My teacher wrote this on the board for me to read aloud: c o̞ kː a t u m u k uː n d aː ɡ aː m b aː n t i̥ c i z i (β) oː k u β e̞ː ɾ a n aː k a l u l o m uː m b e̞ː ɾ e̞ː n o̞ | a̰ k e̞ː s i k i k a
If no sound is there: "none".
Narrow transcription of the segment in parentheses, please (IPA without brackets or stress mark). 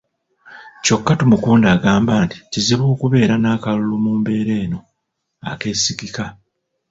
β